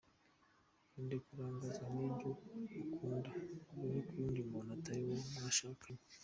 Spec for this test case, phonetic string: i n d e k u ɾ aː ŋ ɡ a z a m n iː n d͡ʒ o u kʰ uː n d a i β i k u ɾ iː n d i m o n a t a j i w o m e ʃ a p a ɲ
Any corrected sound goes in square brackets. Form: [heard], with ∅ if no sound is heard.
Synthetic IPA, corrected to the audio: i n d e k u ɾ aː ŋ ɡ a z a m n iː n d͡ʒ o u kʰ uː n d a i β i k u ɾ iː n d i m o n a t a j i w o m [a] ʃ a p [i] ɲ